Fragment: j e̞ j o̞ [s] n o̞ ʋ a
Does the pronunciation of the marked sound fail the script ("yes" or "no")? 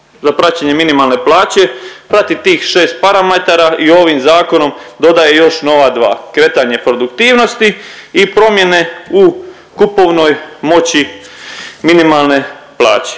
yes